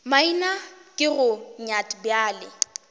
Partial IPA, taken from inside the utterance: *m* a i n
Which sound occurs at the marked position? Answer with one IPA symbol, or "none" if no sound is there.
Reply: m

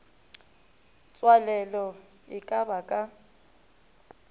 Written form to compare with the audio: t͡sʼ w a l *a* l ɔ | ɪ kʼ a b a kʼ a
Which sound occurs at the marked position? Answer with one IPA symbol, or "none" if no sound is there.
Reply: ɛ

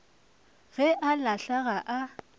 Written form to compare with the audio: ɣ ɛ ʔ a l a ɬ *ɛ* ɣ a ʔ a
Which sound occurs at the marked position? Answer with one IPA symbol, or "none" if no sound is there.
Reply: a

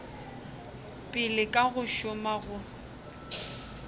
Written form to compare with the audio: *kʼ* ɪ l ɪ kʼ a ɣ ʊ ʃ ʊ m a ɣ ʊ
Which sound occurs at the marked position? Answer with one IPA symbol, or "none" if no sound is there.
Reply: pʼ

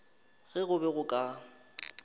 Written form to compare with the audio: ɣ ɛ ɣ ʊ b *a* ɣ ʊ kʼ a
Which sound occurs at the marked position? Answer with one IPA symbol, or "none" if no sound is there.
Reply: ɛ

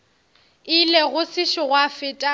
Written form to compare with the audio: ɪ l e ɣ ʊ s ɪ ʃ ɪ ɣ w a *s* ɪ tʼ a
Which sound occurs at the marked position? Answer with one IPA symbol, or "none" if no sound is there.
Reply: f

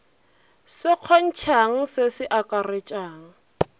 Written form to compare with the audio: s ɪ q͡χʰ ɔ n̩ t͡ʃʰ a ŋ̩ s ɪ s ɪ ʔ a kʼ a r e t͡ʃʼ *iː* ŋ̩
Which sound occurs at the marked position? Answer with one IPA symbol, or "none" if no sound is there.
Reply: aː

